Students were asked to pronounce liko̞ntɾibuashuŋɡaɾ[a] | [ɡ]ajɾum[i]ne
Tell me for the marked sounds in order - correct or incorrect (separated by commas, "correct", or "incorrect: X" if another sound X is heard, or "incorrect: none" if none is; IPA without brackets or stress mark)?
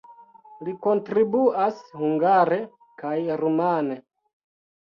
incorrect: e, incorrect: k, incorrect: a